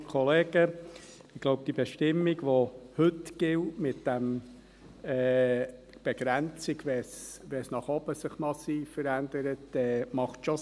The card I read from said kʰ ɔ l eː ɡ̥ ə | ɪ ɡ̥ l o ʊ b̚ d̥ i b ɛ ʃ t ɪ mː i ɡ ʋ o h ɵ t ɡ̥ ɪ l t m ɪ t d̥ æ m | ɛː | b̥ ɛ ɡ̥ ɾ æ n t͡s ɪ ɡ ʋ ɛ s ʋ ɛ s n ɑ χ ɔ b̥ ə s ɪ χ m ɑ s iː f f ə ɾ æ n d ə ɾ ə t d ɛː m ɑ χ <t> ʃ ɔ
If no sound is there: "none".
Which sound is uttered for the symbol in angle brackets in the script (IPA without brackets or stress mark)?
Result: t